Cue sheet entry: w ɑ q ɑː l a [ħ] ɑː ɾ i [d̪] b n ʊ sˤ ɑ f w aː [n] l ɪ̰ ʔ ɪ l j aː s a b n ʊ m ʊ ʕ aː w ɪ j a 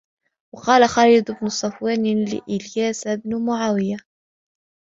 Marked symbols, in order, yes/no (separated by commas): no, yes, yes